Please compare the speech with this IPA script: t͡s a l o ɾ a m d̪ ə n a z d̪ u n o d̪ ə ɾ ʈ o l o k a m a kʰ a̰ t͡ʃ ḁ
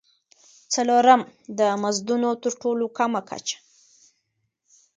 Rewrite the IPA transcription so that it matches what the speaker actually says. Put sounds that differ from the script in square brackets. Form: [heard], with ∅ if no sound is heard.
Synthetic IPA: t͡s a l o ɾ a m d̪ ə [m] a z d̪ u n o [t̪] ə ɾ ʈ o l o k a m a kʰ a̰ t͡ʃ ḁ